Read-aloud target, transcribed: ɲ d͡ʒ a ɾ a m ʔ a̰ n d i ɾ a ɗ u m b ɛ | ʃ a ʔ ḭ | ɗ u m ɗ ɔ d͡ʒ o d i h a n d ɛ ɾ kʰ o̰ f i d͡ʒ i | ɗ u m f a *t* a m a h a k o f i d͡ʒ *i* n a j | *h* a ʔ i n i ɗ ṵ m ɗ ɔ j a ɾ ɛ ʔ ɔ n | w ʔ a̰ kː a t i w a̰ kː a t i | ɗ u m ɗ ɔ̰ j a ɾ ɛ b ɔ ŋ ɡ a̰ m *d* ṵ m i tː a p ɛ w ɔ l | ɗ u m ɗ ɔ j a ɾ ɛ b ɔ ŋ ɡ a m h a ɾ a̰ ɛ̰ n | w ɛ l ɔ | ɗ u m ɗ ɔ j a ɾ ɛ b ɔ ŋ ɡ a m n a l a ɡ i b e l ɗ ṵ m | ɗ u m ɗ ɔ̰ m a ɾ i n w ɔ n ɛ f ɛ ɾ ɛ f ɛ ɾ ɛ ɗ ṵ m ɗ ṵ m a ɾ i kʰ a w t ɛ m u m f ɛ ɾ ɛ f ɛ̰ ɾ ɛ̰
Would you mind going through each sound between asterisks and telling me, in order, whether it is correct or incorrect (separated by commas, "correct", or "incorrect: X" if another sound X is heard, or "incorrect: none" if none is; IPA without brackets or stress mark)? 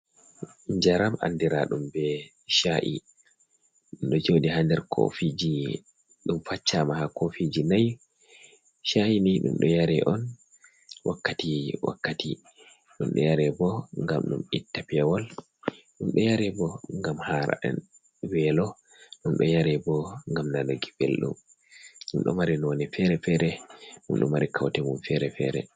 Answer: incorrect: t͡ʃː, correct, incorrect: ʃ, incorrect: ɗ